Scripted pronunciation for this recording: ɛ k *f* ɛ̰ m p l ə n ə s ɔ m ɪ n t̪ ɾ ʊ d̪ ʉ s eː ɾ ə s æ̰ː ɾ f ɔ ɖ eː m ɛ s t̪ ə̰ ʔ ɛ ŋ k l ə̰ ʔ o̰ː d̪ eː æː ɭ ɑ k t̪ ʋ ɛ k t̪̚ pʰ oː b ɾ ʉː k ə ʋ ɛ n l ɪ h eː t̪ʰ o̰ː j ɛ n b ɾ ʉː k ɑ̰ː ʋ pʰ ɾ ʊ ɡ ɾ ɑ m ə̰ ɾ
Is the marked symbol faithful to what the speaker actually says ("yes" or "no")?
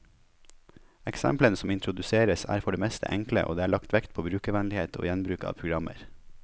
no